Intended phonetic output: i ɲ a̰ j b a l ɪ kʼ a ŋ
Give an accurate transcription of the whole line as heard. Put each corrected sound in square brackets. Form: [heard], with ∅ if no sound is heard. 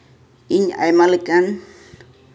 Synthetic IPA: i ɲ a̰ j [m] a l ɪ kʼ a [n]